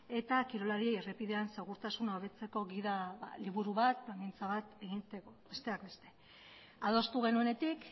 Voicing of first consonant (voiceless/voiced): voiceless